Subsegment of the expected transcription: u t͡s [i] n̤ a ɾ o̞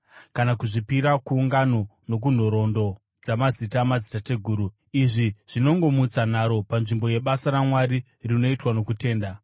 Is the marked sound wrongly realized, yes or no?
yes